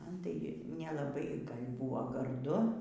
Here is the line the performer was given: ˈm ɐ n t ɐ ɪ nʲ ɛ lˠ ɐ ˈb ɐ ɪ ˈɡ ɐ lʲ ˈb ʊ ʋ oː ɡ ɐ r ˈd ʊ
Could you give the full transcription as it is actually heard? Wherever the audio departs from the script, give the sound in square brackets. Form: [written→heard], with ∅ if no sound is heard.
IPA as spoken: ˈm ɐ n t ɐ ɪ nʲ ɛ lˠ ɐ ˈb ɐ ɪ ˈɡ ɐ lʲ ˈb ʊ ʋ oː ɡ ɐ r ˈd ʊ